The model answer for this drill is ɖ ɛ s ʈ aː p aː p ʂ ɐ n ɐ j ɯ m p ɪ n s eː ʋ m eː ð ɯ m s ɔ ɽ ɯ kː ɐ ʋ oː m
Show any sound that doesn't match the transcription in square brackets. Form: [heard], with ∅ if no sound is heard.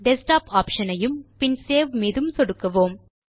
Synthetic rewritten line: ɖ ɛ s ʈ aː p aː p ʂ ɐ n ɐ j ɯ m p ɪ n s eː ʋ m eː ð ɯ m s ɔ ɽ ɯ kː ɐ ʋ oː m